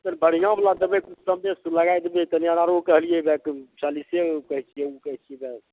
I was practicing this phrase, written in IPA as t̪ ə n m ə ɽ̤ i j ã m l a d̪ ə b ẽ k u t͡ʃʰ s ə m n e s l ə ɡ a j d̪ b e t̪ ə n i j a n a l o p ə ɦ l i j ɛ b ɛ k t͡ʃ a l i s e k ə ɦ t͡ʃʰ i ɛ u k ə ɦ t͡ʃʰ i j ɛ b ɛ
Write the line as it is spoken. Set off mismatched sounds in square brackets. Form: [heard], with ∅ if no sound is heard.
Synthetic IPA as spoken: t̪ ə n [b] ə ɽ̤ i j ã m l a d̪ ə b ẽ k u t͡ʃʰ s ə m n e s l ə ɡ a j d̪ b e t̪ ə n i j a n a [ɾ] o [k] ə ɦ l i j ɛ b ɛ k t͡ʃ a l i s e k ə ɦ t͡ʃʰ i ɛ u k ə ɦ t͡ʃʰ i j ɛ b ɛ